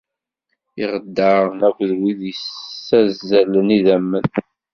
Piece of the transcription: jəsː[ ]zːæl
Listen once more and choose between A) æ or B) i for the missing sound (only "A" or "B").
A